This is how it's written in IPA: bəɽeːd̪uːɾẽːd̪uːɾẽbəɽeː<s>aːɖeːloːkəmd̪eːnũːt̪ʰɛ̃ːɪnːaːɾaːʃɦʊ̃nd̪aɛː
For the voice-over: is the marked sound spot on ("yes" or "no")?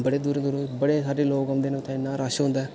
yes